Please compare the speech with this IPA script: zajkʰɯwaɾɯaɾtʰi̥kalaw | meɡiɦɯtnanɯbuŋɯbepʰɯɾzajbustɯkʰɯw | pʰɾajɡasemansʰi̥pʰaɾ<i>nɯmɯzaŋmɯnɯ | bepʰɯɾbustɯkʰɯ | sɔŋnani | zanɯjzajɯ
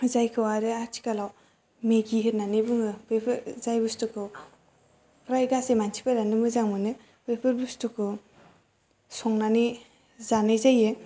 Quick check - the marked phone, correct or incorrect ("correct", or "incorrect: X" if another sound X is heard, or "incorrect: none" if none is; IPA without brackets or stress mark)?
incorrect: a